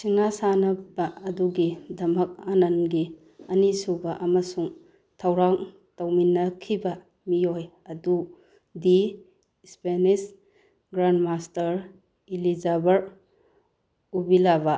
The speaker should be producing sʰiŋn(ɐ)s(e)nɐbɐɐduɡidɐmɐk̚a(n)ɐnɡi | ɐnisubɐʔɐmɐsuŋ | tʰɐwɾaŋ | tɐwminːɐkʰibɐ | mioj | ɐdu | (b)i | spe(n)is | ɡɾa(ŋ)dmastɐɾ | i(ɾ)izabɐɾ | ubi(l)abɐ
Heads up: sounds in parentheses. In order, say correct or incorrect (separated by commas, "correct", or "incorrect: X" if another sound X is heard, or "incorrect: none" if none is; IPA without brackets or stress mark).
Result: incorrect: a, incorrect: a, correct, incorrect: d, correct, incorrect: n, incorrect: l, correct